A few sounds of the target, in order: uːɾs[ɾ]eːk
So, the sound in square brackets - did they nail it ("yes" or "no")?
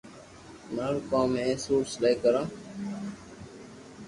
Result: no